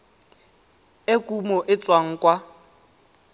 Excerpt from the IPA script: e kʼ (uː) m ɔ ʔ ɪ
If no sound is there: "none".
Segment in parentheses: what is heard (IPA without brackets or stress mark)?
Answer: u